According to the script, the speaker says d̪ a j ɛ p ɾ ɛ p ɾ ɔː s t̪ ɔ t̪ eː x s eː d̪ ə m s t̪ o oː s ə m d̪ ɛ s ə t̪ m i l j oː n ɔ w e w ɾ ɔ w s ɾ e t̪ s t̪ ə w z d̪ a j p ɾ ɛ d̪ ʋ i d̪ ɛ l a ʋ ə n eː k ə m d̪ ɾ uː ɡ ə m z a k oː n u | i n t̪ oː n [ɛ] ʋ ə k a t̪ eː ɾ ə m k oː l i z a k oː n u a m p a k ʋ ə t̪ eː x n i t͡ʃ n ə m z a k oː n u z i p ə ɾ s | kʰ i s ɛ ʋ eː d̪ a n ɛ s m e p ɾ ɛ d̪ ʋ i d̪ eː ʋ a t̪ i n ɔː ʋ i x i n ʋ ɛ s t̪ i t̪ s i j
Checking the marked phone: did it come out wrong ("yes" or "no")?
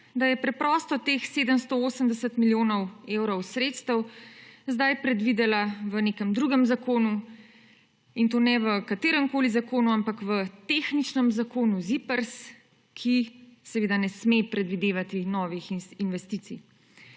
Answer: no